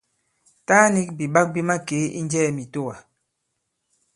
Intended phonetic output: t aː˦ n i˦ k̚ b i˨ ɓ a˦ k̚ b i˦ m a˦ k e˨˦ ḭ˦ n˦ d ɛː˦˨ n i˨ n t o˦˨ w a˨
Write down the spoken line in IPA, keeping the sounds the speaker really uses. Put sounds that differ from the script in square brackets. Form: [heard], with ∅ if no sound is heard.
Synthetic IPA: t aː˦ n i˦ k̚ b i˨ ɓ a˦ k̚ b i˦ m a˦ k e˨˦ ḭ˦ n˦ [d͡ʒ] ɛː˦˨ [m] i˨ [∅] t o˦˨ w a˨